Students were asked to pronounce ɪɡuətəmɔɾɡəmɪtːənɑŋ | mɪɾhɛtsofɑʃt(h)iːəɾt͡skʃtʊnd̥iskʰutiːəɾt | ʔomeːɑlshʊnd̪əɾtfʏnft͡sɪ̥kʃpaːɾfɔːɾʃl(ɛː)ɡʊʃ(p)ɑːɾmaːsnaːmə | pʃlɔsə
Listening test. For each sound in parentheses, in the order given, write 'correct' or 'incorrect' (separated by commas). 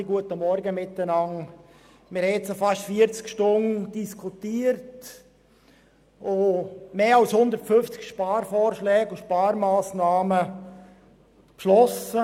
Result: incorrect, correct, correct